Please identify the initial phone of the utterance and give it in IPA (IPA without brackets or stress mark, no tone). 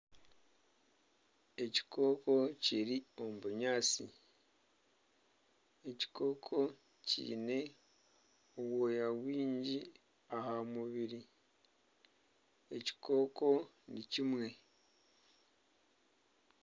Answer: e̞